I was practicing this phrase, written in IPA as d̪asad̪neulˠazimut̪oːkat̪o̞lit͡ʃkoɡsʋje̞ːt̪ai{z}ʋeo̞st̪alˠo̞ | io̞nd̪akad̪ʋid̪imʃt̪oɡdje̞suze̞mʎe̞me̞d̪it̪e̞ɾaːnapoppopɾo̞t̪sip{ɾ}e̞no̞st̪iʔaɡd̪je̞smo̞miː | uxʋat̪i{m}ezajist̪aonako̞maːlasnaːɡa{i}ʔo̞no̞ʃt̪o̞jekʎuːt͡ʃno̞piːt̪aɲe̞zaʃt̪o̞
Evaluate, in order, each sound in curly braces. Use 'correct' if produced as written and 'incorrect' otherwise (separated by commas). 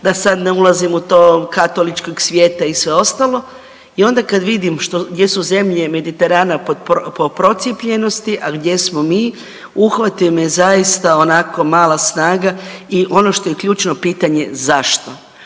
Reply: incorrect, incorrect, correct, correct